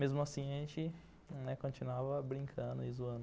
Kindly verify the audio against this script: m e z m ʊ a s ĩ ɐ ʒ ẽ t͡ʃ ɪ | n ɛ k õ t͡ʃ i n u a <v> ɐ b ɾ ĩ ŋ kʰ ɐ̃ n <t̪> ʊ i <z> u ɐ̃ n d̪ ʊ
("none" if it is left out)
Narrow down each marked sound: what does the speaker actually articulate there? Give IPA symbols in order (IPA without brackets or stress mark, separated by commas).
v, d̪, z